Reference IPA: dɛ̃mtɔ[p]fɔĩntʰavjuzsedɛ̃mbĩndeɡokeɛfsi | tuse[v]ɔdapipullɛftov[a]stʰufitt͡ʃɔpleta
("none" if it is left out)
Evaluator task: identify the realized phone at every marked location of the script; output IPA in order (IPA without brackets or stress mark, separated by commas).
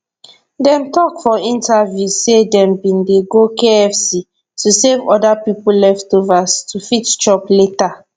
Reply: k, v, a